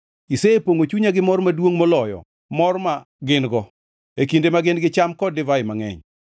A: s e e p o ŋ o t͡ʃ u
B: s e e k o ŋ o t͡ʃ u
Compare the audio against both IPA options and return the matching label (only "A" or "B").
A